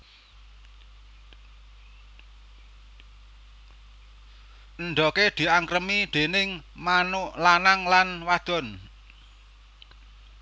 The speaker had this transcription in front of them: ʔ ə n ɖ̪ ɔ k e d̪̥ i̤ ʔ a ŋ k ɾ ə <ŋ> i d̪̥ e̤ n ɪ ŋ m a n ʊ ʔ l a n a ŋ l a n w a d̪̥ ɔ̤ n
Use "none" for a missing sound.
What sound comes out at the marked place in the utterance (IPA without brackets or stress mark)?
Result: m